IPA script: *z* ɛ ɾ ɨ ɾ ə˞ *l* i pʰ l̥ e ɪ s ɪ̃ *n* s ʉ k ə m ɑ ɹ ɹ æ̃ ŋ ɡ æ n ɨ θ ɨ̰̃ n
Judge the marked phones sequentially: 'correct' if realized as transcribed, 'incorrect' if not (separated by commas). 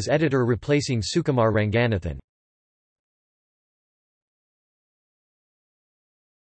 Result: correct, incorrect, incorrect